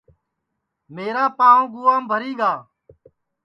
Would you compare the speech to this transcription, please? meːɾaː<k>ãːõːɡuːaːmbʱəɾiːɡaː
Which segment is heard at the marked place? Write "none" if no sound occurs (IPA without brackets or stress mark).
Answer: p